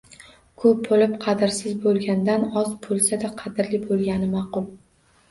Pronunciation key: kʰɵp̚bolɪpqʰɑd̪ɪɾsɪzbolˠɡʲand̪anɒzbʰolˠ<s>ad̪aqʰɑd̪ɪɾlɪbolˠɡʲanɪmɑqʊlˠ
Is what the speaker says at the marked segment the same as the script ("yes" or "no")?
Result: yes